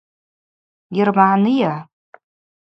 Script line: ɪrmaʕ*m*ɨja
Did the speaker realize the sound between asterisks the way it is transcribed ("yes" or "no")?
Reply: no